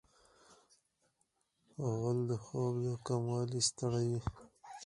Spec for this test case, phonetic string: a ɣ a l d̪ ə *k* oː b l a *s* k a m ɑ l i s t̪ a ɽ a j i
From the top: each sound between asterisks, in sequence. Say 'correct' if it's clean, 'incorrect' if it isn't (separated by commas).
incorrect, incorrect